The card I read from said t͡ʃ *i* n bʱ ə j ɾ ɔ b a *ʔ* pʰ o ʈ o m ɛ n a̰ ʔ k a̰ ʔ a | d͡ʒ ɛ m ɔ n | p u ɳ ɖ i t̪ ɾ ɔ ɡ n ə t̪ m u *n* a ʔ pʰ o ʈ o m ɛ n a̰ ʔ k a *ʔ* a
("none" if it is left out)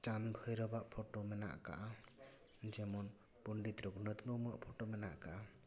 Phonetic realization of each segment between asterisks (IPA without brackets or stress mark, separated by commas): a, ʔ, m, ʔ